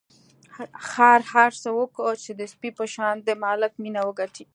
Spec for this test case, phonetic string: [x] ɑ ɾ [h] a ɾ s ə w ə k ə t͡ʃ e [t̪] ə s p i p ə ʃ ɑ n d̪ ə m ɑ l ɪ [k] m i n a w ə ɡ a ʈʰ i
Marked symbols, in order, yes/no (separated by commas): yes, yes, no, yes